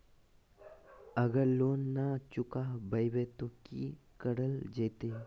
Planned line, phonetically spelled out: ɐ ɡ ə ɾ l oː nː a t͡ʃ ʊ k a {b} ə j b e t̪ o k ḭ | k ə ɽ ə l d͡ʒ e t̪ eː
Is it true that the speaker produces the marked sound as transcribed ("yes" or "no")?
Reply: yes